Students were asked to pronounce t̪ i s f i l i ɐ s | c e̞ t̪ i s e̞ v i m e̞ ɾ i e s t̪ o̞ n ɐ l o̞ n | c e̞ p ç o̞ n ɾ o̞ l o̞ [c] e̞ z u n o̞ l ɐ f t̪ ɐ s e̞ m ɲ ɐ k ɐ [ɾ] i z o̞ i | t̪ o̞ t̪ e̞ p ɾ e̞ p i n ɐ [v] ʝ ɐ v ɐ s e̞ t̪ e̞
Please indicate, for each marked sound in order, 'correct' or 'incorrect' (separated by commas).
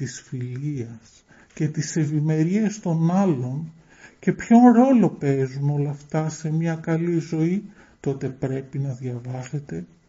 incorrect, incorrect, incorrect